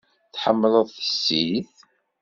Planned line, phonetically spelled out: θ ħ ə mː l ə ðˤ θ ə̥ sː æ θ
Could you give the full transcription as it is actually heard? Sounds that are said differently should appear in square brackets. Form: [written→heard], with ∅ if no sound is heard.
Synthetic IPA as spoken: θ ħ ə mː l ə ðˤ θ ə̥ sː [æ→i] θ